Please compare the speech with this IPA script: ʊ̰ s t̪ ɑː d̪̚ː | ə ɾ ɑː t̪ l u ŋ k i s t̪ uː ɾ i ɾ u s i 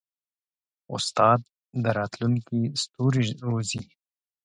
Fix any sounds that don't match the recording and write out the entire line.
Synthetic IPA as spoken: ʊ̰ s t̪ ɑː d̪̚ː | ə ɾ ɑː t̪ l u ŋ k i s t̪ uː ɾ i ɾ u z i